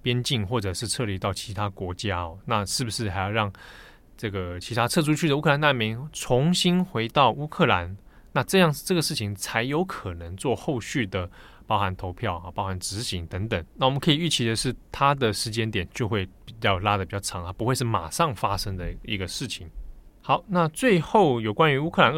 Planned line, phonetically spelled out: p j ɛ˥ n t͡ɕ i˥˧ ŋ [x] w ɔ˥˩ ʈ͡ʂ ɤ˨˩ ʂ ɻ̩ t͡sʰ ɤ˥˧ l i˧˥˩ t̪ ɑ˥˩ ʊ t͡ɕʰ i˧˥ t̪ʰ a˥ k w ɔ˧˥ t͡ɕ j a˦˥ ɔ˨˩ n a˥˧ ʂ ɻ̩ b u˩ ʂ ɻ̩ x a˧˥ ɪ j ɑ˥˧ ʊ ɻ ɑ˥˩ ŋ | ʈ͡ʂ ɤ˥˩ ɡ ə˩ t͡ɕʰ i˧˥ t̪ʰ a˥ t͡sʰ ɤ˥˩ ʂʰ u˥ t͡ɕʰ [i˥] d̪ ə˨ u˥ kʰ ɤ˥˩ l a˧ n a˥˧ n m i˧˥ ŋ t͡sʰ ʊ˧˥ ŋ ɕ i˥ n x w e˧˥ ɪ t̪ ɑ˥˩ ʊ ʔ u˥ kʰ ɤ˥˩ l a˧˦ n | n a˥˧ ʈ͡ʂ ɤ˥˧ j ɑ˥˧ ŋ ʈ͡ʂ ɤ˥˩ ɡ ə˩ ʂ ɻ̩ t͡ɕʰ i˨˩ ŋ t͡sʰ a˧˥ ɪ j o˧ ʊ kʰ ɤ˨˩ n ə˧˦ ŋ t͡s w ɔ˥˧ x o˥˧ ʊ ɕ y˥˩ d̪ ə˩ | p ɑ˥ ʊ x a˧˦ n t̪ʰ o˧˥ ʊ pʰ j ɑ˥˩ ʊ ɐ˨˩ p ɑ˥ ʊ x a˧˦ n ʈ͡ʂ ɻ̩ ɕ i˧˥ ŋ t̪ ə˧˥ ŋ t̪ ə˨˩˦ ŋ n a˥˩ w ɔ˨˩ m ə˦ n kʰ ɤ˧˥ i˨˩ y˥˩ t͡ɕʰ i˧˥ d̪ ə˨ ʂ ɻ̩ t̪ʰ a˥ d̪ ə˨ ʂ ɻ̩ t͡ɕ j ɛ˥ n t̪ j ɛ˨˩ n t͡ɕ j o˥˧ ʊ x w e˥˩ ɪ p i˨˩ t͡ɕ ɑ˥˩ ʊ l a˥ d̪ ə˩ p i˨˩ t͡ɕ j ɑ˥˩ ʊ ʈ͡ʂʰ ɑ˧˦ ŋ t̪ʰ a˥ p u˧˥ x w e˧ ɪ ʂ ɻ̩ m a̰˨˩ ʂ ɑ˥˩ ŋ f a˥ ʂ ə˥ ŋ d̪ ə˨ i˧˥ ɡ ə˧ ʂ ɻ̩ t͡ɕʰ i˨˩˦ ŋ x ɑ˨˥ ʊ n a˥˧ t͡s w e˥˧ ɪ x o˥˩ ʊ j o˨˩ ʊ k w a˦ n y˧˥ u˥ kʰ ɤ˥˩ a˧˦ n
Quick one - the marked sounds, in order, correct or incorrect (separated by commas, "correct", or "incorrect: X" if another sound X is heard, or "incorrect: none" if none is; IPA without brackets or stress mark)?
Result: correct, incorrect: y˥